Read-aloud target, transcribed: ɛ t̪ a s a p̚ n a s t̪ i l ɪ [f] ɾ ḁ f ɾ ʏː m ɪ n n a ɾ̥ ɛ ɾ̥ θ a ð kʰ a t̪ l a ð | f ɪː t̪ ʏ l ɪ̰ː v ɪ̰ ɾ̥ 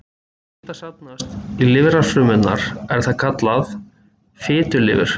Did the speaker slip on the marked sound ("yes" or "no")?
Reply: yes